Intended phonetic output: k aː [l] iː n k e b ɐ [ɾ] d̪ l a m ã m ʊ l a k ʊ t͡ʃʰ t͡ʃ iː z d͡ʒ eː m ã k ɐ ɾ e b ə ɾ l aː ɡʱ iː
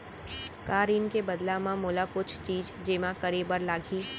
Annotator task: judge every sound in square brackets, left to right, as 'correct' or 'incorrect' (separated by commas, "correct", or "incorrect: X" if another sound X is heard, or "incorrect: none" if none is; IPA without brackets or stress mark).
incorrect: ɾ, incorrect: none